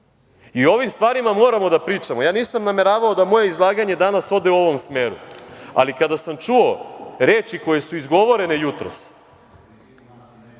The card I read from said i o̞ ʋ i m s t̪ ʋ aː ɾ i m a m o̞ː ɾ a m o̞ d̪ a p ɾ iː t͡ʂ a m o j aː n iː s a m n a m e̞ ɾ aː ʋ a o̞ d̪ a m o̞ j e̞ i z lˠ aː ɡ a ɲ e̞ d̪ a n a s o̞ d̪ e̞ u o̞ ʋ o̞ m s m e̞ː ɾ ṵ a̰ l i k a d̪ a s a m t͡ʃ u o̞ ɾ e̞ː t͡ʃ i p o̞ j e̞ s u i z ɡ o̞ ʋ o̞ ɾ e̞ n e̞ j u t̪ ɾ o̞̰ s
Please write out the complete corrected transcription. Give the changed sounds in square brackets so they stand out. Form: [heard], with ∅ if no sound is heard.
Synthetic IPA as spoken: i o̞ ʋ i m s t̪ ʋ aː ɾ i m a m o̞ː ɾ a m o̞ d̪ a p ɾ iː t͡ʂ a m o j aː n iː s a m n a m e̞ ɾ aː ʋ a o̞ d̪ a m o̞ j e̞ i z lˠ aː ɡ a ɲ e̞ d̪ a n a s o̞ d̪ e̞ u o̞ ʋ o̞ m s m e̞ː ɾ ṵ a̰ l i k a d̪ a s a m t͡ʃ u o̞ ɾ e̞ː t͡ʃ i [k] o̞ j e̞ s u i z ɡ o̞ ʋ o̞ ɾ e̞ n e̞ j u t̪ ɾ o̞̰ s